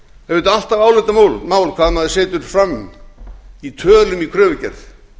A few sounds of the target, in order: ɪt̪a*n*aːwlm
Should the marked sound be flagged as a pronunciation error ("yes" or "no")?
yes